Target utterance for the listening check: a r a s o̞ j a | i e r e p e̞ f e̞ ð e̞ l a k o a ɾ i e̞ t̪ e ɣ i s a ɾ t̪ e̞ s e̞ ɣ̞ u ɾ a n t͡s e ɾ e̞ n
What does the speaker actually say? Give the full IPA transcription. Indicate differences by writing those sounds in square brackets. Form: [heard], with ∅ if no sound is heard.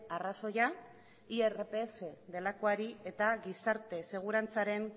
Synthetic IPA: a r a s o̞ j a | i e r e p e̞ f e̞ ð e̞ l a k o a ɾ i e̞ t̪ [a] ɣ i s a ɾ t̪ e̞ s e̞ ɣ̞ u ɾ a n t͡s [a] ɾ e̞ n